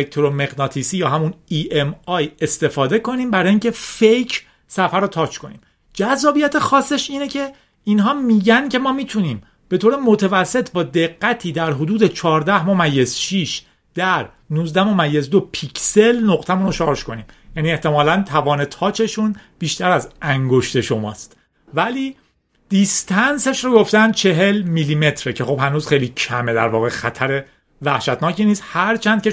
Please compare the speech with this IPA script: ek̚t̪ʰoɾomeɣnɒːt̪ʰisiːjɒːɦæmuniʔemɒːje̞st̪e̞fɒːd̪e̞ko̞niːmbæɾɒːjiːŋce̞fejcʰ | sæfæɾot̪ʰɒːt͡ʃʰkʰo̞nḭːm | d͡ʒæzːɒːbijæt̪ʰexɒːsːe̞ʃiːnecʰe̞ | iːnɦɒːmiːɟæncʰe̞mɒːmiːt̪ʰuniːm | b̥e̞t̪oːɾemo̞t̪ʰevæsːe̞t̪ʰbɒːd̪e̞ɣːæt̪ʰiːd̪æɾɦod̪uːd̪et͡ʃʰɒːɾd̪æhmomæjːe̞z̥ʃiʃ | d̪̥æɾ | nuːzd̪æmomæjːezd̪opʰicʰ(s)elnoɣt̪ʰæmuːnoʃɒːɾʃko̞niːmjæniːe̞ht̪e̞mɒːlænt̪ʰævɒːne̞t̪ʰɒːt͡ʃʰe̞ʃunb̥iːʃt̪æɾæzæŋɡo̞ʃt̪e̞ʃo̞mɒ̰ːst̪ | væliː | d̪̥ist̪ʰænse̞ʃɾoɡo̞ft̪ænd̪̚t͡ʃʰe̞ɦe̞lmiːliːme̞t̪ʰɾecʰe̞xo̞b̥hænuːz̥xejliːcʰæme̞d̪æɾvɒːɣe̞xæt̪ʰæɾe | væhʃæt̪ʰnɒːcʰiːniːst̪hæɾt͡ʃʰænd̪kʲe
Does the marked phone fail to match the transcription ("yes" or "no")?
no